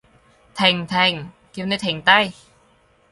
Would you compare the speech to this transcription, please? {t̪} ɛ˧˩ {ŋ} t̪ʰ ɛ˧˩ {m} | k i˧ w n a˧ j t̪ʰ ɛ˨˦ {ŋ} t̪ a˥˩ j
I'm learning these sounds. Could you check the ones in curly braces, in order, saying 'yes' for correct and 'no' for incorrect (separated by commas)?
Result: no, yes, no, yes